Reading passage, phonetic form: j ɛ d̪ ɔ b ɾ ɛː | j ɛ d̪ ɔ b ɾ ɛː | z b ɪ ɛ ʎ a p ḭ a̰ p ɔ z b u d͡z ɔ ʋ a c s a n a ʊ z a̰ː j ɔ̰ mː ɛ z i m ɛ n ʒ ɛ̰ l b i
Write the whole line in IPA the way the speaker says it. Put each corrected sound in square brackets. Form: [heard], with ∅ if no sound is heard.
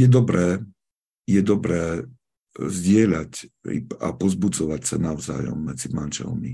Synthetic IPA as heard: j ɛ d̪ ɔ b ɾ ɛː | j ɛ d̪ ɔ b ɾ ɛː | z [ɟ] ɪ ɛ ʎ a [c] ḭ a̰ p ɔ z b u d͡z ɔ ʋ a c s a n a ʊ z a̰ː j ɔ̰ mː ɛ [d͡z] i m [a] n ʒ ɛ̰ l [m] i